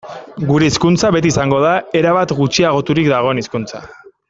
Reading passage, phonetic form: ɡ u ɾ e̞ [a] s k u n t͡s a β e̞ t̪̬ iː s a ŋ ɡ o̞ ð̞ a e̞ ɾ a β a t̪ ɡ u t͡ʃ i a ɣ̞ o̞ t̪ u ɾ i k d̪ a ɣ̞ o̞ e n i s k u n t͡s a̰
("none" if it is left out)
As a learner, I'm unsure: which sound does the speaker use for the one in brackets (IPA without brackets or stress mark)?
i